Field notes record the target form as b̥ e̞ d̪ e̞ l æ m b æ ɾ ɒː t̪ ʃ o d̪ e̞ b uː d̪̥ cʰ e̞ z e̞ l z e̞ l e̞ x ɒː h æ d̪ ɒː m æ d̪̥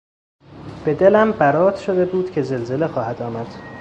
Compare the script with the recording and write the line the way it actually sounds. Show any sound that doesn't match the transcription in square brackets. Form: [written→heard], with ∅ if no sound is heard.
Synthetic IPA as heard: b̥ e̞ d̪ e̞ l æ m b æ ɾ ɒː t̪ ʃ o d̪ e̞ b uː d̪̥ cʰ e̞ z e̞ l z e̞ l e̞ x ɒː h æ d̪ ɒː m æ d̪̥

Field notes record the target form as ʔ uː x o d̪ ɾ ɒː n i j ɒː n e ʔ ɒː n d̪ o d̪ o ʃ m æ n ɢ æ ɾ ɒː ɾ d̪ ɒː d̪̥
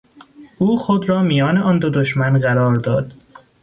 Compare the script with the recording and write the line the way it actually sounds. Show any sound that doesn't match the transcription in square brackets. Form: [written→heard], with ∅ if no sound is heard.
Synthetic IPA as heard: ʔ uː x o d̪ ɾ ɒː [n→m] i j ɒː n e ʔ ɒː n d̪ o d̪ o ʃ m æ n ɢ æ ɾ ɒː ɾ d̪ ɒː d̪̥

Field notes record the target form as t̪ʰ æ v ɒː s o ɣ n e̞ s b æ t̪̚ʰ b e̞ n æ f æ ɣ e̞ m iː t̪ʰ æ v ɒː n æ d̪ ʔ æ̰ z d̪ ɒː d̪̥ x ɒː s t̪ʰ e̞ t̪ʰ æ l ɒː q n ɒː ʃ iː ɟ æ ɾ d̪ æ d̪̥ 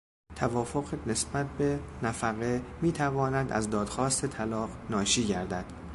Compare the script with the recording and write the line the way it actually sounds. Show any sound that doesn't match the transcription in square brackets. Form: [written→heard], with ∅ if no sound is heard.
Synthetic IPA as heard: t̪ʰ æ v ɒː [s→f] o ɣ n e̞ s b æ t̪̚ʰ b e̞ n æ f æ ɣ e̞ m iː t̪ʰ æ v ɒː n æ d̪ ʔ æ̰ z d̪ ɒː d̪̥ x ɒː s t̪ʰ e̞ t̪ʰ æ l ɒː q n ɒː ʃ iː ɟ æ ɾ d̪ æ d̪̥

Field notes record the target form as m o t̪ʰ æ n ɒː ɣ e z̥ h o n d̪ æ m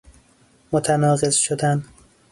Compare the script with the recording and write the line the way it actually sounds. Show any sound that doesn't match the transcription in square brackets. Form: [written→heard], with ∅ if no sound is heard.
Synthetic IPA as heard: m o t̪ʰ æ n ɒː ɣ e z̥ [h→ʃ] o [n→∅] d̪ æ [m→n]

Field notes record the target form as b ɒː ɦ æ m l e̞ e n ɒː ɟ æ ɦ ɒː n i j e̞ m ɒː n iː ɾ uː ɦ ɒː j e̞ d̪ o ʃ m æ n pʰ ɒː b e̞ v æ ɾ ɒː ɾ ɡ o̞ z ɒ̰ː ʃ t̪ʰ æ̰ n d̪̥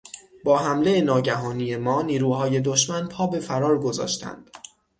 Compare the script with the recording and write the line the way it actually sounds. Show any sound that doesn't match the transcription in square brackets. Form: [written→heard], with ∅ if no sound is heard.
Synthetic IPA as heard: b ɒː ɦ æ m l e̞ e n ɒː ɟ æ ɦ ɒː n i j e̞ m ɒː n iː ɾ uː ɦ ɒː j e̞ d̪ o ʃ m æ n pʰ ɒː b e̞ [v→f] æ ɾ ɒː ɾ ɡ o̞ z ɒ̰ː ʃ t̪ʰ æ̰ n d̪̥

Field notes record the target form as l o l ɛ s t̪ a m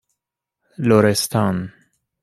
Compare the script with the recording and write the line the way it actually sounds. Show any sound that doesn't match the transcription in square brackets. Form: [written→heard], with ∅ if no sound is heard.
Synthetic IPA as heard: l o [l→ɾ] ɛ s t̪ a [m→n]

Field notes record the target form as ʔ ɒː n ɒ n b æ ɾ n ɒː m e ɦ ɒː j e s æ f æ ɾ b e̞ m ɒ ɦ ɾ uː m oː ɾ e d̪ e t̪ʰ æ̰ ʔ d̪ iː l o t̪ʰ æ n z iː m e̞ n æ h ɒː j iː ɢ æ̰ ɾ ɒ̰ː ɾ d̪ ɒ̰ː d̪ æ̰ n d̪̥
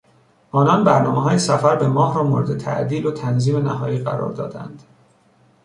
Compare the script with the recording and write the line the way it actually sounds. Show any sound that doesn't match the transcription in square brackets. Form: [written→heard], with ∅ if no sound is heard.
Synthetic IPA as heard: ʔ ɒː n ɒ n b æ ɾ n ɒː m e ɦ ɒː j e s æ f æ ɾ b e̞ m [ɒ→ɒː] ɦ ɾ [uː→ɒː] m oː ɾ e d̪ e t̪ʰ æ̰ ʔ d̪ iː l o t̪ʰ æ n z iː m e̞ n æ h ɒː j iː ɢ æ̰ ɾ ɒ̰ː ɾ d̪ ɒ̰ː d̪ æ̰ n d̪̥

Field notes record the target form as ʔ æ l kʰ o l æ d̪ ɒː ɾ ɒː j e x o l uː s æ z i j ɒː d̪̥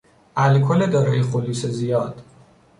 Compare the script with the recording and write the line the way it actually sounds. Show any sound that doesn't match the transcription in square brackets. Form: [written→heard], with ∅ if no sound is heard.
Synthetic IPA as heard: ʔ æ l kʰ o l [æ→e] d̪ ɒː ɾ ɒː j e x o l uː s [æ→e] z i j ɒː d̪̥

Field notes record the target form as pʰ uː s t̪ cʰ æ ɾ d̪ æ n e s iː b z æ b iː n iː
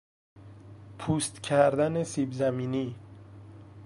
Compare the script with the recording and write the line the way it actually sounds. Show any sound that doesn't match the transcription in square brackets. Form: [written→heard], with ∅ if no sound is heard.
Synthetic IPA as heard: pʰ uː s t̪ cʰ æ ɾ d̪ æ n e s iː b z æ [b→m] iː n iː

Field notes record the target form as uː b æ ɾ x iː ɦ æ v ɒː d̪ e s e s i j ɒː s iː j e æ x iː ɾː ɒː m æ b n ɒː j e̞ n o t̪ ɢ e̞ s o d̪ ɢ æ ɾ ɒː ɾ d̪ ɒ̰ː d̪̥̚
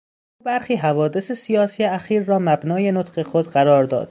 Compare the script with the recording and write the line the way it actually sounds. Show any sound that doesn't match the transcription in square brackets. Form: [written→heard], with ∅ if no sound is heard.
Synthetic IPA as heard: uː b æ ɾ x iː ɦ æ v ɒː d̪ e s e s i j ɒː s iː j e æ x iː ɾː ɒː m æ b n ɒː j e̞ n o t̪ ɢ e̞ [s→x] o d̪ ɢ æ ɾ ɒː ɾ d̪ ɒ̰ː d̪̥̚

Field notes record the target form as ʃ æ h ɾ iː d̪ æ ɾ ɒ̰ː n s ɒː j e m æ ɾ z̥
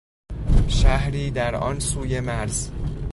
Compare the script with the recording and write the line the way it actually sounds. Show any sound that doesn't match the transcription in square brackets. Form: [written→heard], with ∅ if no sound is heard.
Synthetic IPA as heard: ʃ æ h ɾ iː d̪ æ ɾ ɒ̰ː n s [ɒː→uː] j e m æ ɾ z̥

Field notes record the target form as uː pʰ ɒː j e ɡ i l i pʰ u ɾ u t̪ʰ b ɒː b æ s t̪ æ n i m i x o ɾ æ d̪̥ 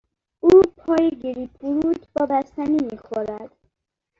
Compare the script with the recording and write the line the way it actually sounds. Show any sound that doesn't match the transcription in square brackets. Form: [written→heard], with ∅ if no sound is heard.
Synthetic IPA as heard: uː pʰ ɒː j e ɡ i [l→ɾ] i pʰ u ɾ u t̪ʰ b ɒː b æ s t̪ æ n i m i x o ɾ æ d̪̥

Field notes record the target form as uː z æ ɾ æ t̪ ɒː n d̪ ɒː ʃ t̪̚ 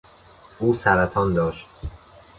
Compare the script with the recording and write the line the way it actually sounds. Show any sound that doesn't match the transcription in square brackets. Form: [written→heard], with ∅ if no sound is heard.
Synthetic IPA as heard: uː [z→s] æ ɾ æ [t̪→t̪ʰ] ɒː n d̪ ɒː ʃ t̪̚

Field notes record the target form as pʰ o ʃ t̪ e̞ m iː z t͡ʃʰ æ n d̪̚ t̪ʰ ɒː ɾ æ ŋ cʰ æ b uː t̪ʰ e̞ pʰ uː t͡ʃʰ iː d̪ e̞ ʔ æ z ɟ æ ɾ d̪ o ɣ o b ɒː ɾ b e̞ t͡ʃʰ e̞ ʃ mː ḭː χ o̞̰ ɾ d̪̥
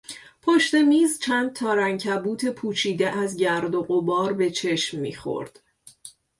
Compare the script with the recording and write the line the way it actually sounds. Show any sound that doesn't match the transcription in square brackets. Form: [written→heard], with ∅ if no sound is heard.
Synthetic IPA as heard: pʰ o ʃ t̪ e̞ m iː z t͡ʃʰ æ n d̪̚ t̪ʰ ɒː ɾ æ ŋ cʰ æ b uː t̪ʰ e̞ pʰ uː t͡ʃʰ iː d̪ e̞ ʔ æ z ɟ æ ɾ d̪ o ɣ o b ɒː ɾ b e̞ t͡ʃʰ e̞ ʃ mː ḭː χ o̞̰ ɾ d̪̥

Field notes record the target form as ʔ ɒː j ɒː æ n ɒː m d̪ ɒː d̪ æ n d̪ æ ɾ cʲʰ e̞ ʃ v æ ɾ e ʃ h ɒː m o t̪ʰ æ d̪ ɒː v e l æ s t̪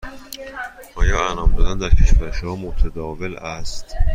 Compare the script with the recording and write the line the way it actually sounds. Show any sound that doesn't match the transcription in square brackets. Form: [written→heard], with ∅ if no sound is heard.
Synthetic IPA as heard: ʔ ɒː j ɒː æ n ɒː m d̪ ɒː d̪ æ n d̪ æ ɾ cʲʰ e̞ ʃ v æ ɾ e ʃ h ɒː m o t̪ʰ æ d̪ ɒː v e l æ s t̪

